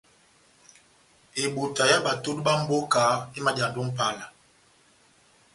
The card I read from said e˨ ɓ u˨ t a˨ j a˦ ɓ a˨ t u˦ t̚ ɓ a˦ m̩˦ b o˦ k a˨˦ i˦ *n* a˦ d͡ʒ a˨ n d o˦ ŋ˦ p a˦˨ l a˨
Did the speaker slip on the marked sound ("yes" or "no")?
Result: yes